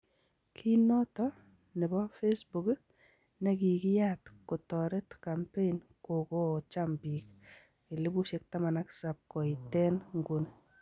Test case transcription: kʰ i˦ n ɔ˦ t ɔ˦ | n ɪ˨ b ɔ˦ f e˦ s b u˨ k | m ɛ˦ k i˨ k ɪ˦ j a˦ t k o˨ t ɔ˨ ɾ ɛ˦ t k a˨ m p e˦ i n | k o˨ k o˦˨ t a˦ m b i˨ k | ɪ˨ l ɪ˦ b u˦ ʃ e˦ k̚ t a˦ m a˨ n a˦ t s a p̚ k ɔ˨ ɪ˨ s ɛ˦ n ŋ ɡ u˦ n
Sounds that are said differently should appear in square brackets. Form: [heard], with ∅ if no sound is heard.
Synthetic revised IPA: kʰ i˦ n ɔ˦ t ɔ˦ | n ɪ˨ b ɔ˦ f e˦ s b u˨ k | [n] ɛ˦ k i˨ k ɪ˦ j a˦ t k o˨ t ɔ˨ ɾ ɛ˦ t k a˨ m p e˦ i n | k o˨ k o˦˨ [t͡ʃ] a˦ m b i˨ k | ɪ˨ l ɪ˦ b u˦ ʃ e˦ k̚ t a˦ m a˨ n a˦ [k] s a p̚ k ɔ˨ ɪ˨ [t] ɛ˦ n ŋ ɡ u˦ n